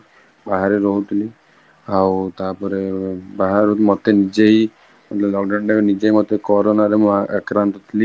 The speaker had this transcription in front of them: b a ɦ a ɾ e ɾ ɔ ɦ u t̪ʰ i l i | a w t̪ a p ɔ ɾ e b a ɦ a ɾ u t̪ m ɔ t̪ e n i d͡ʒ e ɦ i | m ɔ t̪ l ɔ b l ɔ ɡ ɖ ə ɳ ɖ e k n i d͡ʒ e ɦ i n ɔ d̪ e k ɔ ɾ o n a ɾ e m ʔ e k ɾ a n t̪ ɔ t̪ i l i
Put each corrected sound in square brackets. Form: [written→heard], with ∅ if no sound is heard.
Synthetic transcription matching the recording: b a ɦ a ɾ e ɾ ɔ ɦ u t̪ʰ i l i | a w t̪ a p ɔ ɾ e b a ɦ a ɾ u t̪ m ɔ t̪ e n i d͡ʒ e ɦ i | m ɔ t̪ l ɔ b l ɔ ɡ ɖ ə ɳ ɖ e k n i d͡ʒ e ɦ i [n→m] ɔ [d̪→t̪] e k ɔ ɾ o n a ɾ e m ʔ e k ɾ a n t̪ ɔ [t̪→t̪ʰ] i l i